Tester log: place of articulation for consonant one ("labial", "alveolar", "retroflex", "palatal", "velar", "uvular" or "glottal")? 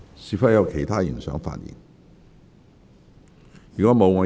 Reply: alveolar